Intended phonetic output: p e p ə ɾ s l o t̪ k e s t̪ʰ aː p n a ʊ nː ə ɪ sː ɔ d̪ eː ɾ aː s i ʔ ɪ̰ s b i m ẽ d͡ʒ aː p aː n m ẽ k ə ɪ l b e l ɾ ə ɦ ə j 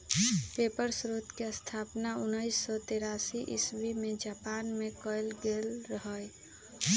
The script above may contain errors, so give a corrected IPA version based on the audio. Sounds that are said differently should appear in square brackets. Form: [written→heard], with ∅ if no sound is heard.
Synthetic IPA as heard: p e p ə ɾ s [l→ɾ] o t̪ k e s t̪ʰ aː p n a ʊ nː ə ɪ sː ɔ [d̪→t̪] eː ɾ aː s i ʔ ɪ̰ s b i m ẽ d͡ʒ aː p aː n m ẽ k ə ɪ l [b→ɡ] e l ɾ ə ɦ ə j